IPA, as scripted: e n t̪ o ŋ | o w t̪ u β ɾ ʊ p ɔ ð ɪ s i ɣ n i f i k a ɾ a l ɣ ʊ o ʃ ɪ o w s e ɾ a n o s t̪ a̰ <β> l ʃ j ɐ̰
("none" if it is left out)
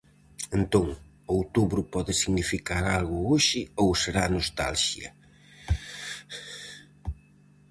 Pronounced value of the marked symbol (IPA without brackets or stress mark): none